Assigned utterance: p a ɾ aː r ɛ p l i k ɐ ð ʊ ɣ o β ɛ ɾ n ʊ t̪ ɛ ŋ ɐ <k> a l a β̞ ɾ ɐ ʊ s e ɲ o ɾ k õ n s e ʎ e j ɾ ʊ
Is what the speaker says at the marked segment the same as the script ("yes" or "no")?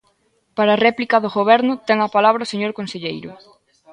no